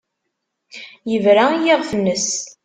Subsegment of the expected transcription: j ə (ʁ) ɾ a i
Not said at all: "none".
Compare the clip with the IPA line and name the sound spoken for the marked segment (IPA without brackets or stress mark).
v